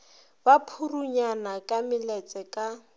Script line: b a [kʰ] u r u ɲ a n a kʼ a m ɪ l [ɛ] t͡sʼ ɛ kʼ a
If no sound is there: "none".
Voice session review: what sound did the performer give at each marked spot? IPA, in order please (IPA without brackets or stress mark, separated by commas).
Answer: pʰ, ɛ